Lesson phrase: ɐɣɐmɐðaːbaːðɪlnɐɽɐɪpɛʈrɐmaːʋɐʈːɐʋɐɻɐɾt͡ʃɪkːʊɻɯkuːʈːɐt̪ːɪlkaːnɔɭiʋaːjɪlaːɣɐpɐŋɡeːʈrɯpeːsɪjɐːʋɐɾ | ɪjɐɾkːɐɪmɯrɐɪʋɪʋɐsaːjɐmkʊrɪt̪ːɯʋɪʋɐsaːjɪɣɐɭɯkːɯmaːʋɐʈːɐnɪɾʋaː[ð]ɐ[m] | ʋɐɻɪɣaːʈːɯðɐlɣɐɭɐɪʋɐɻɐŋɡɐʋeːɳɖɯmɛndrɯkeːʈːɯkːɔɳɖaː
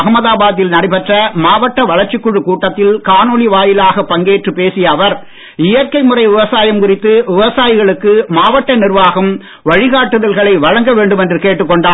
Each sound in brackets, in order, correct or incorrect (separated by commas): incorrect, correct